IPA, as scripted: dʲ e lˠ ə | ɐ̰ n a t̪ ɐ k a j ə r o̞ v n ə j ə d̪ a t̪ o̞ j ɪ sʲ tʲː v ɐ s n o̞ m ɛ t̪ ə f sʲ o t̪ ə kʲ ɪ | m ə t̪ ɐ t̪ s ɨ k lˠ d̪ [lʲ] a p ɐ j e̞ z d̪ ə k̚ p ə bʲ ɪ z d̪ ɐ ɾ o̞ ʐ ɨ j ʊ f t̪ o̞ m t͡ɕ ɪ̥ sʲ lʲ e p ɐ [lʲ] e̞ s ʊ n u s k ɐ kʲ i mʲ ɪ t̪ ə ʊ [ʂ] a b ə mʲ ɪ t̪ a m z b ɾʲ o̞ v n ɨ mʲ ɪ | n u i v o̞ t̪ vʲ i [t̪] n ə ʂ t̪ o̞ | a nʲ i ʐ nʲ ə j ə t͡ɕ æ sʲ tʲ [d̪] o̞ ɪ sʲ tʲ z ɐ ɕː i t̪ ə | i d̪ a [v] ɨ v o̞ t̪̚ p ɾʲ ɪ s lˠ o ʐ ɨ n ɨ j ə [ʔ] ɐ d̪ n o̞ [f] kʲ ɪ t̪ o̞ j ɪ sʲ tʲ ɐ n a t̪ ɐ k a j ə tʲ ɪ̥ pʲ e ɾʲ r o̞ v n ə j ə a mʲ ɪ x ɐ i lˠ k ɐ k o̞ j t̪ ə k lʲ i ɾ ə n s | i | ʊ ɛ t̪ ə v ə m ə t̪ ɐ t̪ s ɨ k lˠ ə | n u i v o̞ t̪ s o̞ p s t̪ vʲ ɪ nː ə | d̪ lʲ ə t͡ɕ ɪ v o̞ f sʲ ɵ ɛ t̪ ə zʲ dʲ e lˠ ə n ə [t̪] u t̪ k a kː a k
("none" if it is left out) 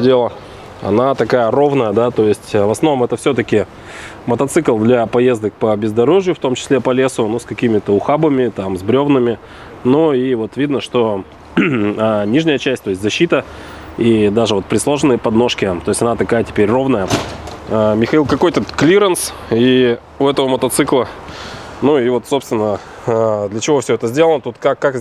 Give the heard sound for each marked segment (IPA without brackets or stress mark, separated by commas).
lʲ, lʲ, x, d̪, t̪, ʐ, p, ʂ, t̪